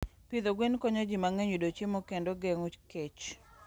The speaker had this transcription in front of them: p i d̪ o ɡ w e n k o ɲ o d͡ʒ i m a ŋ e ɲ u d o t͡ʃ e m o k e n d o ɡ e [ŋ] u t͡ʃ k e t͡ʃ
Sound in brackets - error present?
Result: no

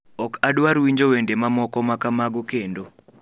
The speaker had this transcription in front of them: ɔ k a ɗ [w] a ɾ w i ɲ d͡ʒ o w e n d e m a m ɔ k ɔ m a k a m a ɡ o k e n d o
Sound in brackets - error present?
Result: no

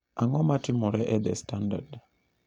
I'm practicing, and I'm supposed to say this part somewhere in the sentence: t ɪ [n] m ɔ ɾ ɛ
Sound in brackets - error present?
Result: yes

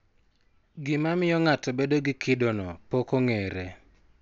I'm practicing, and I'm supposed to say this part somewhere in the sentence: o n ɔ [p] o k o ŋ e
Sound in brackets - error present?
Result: no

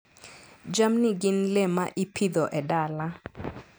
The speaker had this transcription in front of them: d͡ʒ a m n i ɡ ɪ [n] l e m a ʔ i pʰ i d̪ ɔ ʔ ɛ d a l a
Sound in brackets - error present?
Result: no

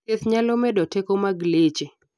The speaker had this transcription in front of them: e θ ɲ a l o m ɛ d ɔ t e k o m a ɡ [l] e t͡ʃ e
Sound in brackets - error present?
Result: no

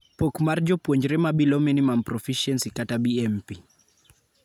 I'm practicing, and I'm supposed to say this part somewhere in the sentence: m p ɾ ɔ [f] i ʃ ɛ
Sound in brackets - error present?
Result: no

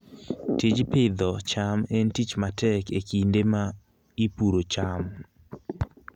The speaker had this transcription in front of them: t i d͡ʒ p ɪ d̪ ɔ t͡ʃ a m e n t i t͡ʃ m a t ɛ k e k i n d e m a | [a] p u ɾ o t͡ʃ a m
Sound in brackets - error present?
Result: yes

